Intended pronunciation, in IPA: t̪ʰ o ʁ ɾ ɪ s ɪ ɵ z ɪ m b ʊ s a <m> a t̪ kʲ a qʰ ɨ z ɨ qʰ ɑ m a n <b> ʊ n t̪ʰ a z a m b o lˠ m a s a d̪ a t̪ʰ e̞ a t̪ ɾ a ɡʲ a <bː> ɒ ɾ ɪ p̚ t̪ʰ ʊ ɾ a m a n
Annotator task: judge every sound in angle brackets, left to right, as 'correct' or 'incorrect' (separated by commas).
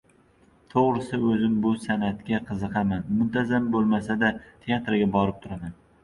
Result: incorrect, incorrect, incorrect